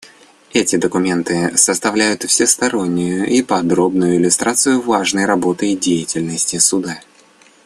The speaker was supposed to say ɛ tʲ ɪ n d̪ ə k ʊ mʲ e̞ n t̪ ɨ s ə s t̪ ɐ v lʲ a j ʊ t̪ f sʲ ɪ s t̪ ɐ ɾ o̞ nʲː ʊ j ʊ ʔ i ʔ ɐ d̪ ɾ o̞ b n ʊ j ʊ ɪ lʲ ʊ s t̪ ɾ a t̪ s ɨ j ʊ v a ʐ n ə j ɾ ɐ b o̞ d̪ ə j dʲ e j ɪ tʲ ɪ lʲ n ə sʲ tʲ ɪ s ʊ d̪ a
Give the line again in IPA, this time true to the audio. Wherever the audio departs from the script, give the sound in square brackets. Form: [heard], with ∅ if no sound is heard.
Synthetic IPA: ɛ tʲ ɪ [∅] d̪ ə k ʊ mʲ e̞ n t̪ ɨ s ə s t̪ ɐ v lʲ [æ] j ʊ t̪ f sʲ ɪ s t̪ ɐ ɾ o̞ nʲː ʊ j ʊ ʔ i [p] ɐ d̪ ɾ o̞ b n ʊ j ʊ ɪ lʲ ʊ s t̪ ɾ a t̪ s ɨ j ʊ v a ʐ n ə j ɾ ɐ b o̞ [t̪] ə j dʲ e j ɪ tʲ ɪ lʲ n ə sʲ tʲ ɪ s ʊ d̪ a

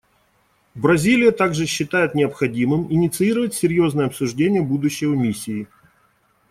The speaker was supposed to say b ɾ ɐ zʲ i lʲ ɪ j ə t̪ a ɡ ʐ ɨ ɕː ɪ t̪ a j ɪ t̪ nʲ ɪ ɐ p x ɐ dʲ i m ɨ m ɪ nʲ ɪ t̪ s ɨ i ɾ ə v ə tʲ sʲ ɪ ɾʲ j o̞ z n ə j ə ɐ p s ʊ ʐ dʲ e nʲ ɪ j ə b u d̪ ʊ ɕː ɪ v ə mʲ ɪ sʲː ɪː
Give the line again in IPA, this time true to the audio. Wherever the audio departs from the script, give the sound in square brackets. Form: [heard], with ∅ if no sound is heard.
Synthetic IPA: b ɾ ɐ zʲ i lʲ ɪ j ə t̪ a ɡ ʐ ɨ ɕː ɪ t̪ a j ɪ t̪ nʲ ɪ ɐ p x ɐ dʲ i m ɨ m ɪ nʲ ɪ t̪ s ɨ i ɾ ə v ə tʲ sʲ ɪ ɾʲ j o̞ z n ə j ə ɐ p s ʊ ʐ dʲ e nʲ ɪ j ə b u d̪ ʊ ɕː ɪ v ə mʲ [i] sʲː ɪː

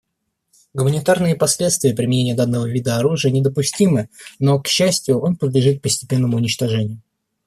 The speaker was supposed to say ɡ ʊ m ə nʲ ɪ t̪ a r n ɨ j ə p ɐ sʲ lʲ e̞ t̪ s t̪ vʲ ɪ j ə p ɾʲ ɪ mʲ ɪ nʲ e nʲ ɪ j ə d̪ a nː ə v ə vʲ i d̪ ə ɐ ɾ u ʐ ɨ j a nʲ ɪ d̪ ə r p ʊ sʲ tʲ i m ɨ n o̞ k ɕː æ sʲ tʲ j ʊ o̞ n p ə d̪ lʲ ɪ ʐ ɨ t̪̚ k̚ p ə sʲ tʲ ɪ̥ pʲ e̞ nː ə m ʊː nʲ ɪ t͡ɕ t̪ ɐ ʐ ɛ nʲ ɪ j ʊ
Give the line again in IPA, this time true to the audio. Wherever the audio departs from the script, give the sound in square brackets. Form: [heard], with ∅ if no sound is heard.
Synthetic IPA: ɡ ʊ m ə nʲ ɪ t̪ a r n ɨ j ə p ɐ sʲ lʲ e̞ t̪ s t̪ vʲ ɪ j ə p ɾʲ ɪ mʲ ɪ nʲ e nʲ ɪ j ə d̪ a nː ə v ə vʲ i d̪ ə ɐ ɾ u ʐ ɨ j [ə] nʲ ɪ d̪ ə [∅] p ʊ sʲ tʲ i m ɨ n o̞ k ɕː æ sʲ tʲ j ʊ o̞ n p ə d̪ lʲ ɪ ʐ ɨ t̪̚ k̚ p ə sʲ tʲ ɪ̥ pʲ e̞ nː ə m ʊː nʲ ɪ t͡ɕ t̪ ɐ ʐ ɛ nʲ ɪ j ʊ

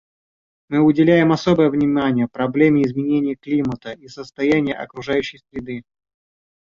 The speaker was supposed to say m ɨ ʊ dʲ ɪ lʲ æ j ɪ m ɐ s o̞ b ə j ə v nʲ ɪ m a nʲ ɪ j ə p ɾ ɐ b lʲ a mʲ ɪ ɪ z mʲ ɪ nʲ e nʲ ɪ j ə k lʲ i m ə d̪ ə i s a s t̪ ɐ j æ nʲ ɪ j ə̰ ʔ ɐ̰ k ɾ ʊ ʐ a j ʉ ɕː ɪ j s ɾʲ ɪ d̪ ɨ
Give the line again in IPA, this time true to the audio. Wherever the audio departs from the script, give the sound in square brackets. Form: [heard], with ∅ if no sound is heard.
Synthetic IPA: m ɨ ʊ dʲ ɪ lʲ æ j ɪ m ɐ s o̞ b ə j ə v nʲ ɪ m a nʲ ɪ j ə p ɾ ɐ b lʲ [e] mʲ ɪ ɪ z mʲ ɪ nʲ e nʲ ɪ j ə k lʲ i m ə [t̪] ə i s [ə] s t̪ ɐ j æ nʲ ɪ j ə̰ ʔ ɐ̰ k ɾ ʊ ʐ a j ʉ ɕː ɪ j s ɾʲ ɪ d̪ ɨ

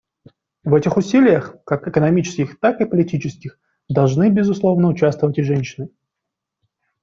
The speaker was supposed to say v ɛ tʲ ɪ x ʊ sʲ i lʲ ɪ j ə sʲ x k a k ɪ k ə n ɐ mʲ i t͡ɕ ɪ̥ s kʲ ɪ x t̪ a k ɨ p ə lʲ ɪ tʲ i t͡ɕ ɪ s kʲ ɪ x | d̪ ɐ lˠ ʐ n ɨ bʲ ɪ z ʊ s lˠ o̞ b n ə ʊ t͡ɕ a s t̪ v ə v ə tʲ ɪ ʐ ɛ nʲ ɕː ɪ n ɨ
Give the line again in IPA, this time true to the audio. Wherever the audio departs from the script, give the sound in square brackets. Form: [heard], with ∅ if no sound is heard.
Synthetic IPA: v ɛ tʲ ɪ x ʊ sʲ i lʲ ɪ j ə [∅] x k a k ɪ k ə n ɐ mʲ i t͡ɕ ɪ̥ s kʲ ɪ x t̪ a k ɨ p ə lʲ ɪ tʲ i t͡ɕ ɪ s kʲ ɪ x | d̪ ɐ lˠ ʐ n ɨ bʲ ɪ z ʊ s lˠ o̞ [v] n ə ʊ t͡ɕ a s t̪ v ə v ə tʲ ɪ ʐ ɛ nʲ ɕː ɪ n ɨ

